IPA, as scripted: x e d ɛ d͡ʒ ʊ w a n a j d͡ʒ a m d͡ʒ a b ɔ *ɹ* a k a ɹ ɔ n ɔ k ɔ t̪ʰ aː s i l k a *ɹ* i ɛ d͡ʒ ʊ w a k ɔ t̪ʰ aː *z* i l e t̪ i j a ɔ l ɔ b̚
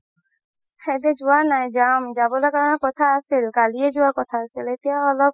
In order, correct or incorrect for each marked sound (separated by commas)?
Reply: incorrect, incorrect, incorrect